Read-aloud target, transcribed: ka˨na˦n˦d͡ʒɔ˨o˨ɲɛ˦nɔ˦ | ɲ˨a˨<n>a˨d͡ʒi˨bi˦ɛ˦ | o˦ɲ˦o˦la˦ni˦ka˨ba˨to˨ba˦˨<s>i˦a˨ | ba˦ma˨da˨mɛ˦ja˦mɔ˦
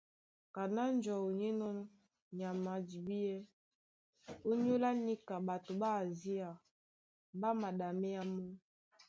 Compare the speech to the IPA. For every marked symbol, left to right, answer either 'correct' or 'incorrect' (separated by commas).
incorrect, incorrect